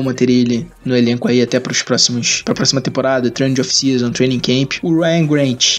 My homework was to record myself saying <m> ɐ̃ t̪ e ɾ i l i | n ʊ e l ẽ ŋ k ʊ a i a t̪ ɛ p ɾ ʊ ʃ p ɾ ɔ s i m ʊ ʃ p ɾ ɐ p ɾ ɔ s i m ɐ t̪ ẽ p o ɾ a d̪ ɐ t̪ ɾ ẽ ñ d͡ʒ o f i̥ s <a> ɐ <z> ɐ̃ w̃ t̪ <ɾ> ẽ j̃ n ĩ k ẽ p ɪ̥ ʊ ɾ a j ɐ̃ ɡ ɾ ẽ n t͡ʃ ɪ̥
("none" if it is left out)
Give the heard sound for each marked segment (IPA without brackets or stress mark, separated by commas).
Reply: m, i, z, ɾ